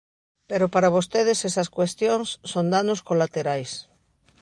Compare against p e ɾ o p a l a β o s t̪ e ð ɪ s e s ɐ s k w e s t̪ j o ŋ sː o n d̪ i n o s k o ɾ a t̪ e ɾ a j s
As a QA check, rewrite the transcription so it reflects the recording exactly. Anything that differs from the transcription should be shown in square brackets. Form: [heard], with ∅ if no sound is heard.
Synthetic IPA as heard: p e ɾ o p a [ɾ] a β o s t̪ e ð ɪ s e s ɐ s k w e s t̪ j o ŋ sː o n d̪ [a] n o s k o [l] a t̪ e ɾ a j s